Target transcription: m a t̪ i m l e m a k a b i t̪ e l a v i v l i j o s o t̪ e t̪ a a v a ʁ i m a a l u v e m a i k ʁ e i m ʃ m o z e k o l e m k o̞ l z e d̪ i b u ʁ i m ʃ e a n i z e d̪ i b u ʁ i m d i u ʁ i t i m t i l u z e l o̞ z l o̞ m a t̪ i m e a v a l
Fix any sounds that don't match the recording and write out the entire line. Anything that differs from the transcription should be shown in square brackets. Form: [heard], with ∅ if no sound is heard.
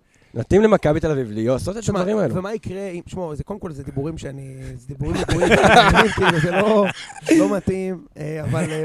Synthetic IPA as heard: [n] a t̪ i m l e m a k a b i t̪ e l a v i v l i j o s o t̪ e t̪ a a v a ʁ i m a [e] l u v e m a i k ʁ e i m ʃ m o z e k o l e m k o̞ l z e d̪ i b u ʁ i m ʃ e a n i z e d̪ i b u ʁ i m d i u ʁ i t i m [k] i l u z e l o̞ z l o̞ m a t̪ i m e a v a l